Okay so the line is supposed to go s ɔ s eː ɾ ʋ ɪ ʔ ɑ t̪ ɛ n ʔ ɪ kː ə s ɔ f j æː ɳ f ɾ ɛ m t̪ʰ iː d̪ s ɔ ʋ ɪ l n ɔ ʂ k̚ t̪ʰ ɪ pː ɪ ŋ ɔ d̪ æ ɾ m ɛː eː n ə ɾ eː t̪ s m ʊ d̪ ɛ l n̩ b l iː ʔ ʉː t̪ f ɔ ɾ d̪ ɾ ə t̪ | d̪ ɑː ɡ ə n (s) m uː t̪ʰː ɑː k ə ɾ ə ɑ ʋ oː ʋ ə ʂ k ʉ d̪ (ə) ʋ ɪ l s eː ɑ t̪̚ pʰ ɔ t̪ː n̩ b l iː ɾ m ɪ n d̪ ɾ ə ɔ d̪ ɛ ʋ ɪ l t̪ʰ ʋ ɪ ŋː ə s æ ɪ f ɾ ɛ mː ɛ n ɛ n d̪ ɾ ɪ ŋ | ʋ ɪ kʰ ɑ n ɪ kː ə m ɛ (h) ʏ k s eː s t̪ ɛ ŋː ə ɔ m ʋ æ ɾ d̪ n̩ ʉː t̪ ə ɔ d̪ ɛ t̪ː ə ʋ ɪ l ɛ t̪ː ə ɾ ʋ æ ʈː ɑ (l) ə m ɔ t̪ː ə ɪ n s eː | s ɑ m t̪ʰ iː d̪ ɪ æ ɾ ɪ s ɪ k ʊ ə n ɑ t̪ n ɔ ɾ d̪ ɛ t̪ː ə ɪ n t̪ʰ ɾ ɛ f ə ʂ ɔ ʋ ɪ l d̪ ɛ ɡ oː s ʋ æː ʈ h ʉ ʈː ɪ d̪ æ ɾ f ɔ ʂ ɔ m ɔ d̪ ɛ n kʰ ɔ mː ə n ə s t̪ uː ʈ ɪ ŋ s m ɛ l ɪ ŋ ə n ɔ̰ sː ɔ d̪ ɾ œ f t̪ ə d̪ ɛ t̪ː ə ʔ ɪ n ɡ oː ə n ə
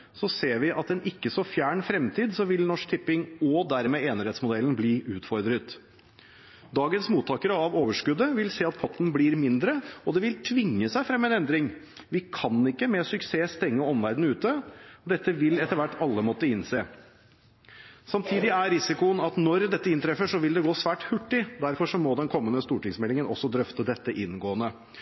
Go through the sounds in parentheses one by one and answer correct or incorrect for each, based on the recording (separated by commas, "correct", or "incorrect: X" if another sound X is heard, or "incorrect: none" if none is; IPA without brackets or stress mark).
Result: correct, correct, incorrect: s, incorrect: lː